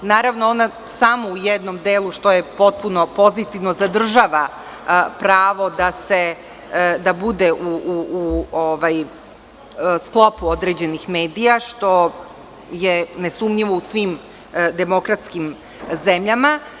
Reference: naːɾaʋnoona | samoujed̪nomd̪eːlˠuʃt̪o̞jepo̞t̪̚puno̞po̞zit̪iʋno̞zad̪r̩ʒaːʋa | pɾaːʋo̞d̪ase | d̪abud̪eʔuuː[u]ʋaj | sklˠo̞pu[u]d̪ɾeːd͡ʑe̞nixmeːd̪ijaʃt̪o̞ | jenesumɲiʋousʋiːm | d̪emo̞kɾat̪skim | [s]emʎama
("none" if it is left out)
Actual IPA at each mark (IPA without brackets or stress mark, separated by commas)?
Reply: o, o, z